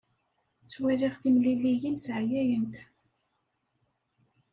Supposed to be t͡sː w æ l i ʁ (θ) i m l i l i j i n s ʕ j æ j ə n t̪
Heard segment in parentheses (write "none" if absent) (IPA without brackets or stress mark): θ